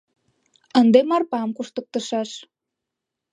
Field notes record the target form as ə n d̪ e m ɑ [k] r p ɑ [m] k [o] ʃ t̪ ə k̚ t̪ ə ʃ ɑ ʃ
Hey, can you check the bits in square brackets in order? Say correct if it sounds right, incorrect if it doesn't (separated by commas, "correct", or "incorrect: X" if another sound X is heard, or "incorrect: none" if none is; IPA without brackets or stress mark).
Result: incorrect: none, correct, incorrect: u